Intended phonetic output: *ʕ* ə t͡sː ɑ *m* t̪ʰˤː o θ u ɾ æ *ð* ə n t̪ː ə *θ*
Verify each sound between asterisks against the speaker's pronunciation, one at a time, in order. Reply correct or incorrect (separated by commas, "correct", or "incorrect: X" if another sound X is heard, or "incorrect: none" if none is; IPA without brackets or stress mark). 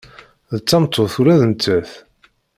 incorrect: ð, correct, correct, correct